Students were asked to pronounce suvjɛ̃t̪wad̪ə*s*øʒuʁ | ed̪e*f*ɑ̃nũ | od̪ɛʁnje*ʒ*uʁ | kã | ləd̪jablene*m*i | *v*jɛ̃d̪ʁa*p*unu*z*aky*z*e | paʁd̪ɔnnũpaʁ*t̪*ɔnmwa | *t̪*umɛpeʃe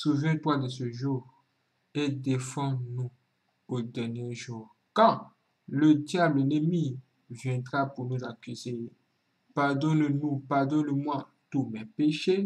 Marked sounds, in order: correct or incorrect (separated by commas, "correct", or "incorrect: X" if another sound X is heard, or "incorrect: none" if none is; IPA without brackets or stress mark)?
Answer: correct, correct, correct, correct, correct, correct, correct, correct, incorrect: d̪, correct